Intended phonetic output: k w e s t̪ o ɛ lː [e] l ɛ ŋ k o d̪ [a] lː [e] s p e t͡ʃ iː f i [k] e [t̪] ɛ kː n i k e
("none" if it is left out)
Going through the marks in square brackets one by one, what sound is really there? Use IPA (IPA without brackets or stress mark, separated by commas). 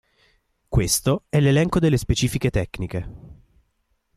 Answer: e, e, e, k, t̪